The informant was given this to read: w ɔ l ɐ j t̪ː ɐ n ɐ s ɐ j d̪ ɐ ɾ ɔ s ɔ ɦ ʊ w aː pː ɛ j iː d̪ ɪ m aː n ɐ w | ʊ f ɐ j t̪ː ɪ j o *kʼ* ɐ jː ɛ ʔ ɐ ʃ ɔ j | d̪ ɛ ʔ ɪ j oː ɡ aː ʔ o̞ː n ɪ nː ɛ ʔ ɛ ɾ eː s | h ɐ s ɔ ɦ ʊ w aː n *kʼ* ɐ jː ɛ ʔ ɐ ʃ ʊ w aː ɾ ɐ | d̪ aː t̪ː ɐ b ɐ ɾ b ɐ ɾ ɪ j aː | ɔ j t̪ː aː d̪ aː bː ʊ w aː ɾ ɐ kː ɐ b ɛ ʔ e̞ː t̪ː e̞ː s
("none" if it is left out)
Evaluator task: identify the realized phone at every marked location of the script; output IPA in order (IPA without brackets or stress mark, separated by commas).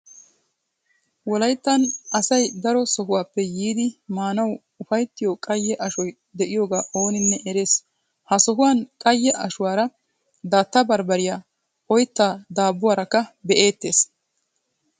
kʼ, kʼ